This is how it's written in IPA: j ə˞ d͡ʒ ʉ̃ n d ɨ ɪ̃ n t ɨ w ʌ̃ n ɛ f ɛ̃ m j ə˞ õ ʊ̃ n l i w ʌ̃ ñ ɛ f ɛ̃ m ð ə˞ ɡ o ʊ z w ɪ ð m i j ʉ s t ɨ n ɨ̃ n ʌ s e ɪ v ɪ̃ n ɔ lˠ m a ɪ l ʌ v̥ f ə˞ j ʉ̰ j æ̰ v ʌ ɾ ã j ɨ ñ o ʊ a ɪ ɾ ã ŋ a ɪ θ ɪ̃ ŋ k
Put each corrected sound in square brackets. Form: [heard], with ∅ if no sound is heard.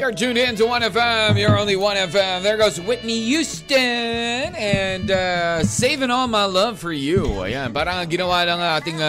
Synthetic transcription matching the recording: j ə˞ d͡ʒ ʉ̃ n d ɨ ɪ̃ n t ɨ w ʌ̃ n ɛ f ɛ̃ m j ə˞ õ ʊ̃ n l i w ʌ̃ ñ ɛ f ɛ̃ m ð ə˞ ɡ o ʊ z w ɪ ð m i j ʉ s t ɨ n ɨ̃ n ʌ s e ɪ v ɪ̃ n ɔ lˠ m a ɪ l ʌ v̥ f ə˞ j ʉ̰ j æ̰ [b] ʌ ɾ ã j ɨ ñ o ʊ a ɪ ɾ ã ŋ a ɪ θ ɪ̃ ŋ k